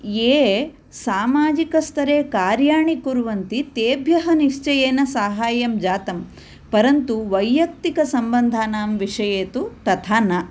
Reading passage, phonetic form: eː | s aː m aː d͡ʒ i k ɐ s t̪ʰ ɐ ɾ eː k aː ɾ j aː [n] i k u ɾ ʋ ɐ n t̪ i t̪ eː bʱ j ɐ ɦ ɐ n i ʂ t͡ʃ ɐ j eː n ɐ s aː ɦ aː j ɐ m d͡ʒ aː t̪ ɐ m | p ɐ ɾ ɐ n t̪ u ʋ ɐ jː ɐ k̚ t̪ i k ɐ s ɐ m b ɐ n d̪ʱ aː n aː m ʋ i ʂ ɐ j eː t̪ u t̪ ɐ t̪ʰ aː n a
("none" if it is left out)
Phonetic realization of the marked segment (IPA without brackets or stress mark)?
ɳ